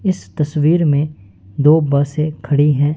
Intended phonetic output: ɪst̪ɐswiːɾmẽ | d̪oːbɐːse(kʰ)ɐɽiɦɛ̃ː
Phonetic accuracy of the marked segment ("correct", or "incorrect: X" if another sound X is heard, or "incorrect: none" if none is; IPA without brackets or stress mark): correct